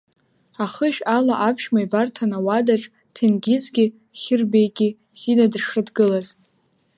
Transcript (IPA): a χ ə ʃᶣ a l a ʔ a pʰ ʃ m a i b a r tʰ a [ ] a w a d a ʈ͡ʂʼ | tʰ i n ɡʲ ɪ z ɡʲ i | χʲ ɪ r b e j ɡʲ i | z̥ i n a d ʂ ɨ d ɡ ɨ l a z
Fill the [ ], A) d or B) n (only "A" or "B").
B